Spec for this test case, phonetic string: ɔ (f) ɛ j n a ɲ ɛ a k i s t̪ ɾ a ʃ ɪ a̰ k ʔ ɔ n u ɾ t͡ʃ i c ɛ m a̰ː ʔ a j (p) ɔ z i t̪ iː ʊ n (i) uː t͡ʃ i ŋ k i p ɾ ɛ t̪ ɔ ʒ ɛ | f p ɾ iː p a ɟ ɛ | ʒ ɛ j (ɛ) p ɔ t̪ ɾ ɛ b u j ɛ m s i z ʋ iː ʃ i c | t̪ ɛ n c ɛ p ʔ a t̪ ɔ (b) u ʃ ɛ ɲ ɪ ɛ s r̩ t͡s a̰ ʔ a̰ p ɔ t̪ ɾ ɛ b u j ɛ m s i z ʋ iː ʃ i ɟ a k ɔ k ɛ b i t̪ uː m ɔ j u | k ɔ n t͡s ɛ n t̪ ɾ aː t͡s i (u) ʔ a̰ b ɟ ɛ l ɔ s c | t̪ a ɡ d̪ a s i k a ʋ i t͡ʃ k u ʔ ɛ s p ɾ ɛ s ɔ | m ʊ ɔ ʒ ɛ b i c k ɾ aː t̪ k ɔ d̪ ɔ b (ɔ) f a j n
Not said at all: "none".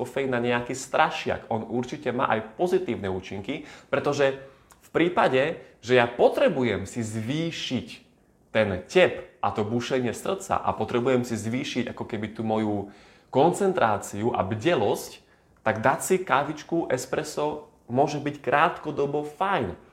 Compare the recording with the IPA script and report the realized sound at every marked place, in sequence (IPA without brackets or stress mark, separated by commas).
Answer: f, p, ɛ, a, b, u, ɔ